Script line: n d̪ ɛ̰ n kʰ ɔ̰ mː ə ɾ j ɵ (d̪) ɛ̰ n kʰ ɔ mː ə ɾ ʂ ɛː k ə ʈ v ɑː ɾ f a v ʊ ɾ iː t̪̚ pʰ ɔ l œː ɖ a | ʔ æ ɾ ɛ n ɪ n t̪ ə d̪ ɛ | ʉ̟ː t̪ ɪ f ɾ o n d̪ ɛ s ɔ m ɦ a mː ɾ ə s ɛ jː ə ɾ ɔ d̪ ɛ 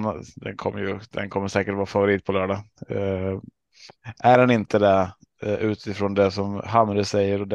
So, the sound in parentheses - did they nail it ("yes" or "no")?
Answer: yes